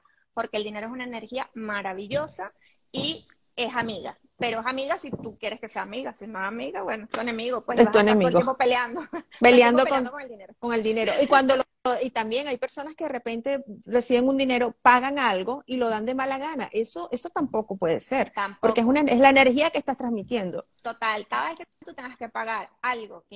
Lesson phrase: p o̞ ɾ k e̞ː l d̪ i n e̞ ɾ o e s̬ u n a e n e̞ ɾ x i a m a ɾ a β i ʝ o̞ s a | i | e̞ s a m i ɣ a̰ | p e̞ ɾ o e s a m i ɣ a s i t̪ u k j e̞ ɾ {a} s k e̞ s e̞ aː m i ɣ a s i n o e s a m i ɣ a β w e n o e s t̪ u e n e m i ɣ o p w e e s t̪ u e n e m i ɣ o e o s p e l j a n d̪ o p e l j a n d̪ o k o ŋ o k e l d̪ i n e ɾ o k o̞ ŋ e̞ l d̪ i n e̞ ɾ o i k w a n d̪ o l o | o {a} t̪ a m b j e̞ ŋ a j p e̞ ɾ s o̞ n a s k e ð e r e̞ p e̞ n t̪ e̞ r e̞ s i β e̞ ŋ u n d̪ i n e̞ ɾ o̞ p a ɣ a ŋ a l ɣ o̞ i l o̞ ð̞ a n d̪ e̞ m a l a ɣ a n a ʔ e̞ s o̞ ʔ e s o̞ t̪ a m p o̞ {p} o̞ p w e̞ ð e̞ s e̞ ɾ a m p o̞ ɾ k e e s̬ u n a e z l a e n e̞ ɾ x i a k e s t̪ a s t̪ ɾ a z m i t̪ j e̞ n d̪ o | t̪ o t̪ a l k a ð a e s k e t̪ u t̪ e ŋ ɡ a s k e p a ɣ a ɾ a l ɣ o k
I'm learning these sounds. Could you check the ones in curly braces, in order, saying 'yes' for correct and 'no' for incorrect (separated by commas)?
no, no, no